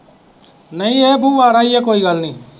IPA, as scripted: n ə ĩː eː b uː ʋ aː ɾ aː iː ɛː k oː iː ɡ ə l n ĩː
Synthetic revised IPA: n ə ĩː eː b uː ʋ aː ɾ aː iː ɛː k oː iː ɡ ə l n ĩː